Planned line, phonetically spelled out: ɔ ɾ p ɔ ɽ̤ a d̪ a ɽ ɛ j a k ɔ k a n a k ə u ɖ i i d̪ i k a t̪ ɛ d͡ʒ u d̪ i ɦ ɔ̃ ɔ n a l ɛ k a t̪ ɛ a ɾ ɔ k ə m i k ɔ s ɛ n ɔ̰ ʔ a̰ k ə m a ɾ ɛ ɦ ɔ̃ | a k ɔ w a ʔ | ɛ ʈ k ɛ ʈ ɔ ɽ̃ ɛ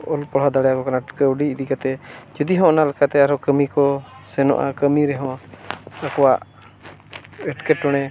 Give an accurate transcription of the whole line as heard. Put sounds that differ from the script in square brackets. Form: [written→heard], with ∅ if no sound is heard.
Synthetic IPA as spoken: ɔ [ɾ→l] p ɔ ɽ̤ a d̪ a ɽ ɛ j a k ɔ k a n a k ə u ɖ i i d̪ i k a t̪ ɛ d͡ʒ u d̪ i ɦ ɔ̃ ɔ n a l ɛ k a t̪ ɛ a ɾ ɔ k ə m i k ɔ s ɛ n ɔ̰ ʔ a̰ k ə m [a→i] ɾ ɛ ɦ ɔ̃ | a k ɔ w a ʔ | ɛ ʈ k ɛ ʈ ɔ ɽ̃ ɛ